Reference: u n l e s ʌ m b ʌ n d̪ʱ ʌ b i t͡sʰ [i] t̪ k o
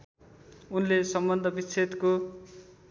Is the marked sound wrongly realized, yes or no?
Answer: yes